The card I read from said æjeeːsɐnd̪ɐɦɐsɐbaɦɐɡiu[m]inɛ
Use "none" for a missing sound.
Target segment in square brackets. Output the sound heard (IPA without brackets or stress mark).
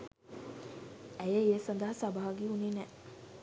n